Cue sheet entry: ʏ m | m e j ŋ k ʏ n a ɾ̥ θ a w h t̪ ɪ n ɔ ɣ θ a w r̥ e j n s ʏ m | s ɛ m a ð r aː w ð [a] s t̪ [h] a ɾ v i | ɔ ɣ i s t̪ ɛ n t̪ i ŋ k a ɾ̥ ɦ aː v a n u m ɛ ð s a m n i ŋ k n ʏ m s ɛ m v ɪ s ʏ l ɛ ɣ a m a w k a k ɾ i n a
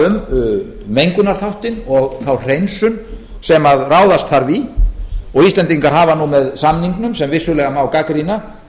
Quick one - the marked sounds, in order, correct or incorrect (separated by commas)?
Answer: correct, incorrect